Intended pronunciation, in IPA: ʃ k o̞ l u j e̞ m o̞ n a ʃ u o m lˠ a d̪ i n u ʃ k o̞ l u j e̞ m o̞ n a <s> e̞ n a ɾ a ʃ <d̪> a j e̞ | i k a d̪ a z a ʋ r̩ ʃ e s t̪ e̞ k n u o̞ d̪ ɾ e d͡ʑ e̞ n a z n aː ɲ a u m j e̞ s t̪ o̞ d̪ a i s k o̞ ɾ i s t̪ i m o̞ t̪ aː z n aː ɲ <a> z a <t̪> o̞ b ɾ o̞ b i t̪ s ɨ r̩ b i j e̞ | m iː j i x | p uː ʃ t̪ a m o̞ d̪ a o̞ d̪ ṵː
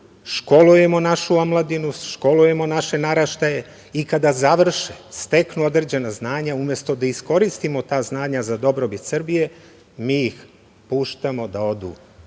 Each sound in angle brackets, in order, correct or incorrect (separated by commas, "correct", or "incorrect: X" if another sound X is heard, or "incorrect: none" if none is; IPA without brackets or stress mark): incorrect: ʃ, incorrect: t̪, correct, incorrect: d̪